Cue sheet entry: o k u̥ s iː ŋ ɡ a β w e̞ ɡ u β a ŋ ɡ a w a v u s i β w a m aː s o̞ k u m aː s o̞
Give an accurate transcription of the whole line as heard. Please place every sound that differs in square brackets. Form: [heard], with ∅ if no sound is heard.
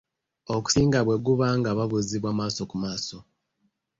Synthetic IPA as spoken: o k u̥ s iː ŋ ɡ a β w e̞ ɡ u β a ŋ ɡ a [β] a [β] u [z] i β w a m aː s o̞ k u m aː s o̞